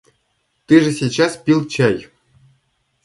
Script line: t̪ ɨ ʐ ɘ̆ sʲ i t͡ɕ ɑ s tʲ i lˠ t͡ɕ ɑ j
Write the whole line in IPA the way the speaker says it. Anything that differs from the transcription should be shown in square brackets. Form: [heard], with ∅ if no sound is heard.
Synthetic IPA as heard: t̪ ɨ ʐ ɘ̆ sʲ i t͡ɕ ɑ s [pʲ] i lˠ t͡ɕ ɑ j